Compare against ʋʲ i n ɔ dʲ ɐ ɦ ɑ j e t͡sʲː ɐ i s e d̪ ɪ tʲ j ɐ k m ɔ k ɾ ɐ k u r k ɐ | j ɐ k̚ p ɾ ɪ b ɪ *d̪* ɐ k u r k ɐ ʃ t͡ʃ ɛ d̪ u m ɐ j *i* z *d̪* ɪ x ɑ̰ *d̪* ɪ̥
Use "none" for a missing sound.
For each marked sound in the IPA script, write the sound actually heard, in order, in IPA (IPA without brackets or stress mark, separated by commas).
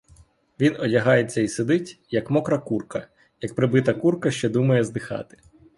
t̪, ɛ, d̪, t̪